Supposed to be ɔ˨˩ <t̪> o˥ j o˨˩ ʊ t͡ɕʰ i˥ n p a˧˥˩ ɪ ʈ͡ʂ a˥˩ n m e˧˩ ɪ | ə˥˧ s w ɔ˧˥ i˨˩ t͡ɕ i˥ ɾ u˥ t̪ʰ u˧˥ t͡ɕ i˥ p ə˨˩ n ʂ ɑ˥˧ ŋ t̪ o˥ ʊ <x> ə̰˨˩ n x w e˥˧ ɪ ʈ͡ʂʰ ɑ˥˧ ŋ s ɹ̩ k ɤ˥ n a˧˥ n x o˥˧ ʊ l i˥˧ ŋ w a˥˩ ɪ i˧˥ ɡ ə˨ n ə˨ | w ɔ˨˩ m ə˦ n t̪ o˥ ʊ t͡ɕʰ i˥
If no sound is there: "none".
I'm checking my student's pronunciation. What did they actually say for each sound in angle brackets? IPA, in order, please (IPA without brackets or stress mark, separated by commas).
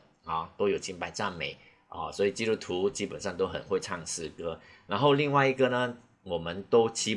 t̪, x